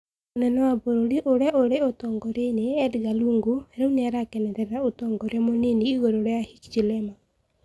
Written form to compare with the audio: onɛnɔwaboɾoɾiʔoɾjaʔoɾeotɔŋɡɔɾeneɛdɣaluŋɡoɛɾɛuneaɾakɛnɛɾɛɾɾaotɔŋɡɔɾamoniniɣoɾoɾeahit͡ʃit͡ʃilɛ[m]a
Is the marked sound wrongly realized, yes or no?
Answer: no